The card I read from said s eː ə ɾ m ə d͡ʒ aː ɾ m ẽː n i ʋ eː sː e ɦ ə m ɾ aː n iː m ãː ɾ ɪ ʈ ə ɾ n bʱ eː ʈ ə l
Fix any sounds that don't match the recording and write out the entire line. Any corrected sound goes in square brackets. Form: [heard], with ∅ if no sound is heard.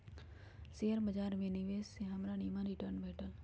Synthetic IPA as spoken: s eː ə ɾ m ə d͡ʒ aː ɾ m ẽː n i ʋ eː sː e ɦ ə m ɾ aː n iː m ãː ɾ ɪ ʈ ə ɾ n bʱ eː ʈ ə l